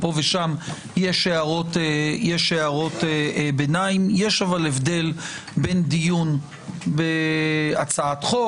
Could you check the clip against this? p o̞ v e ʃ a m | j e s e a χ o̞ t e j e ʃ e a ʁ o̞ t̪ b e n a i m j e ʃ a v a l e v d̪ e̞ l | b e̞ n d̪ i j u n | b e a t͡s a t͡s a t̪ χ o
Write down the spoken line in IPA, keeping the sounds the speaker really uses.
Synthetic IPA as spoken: p o̞ v e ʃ a m | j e ʃ e a ʁ o̞ t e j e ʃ e a ʁ o̞ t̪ b e n a i m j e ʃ a v a l e v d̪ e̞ l | b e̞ n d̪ i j u n | b e a t͡s a a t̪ χ o